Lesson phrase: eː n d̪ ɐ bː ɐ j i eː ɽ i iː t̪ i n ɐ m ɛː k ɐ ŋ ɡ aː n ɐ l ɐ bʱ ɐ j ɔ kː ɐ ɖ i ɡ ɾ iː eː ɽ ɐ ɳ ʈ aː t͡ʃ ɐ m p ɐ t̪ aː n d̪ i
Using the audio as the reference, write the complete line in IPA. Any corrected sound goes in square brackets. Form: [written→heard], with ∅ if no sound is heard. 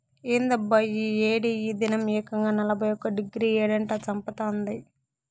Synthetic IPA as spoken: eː n d̪ ɐ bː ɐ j i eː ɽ i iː [t̪→d̪] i n ɐ m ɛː k ɐ ŋ ɡ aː n ɐ l ɐ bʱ ɐ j ɔ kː ɐ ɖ i ɡ ɾ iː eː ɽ ɐ ɳ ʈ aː t͡ʃ ɐ m p ɐ t̪ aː n d̪ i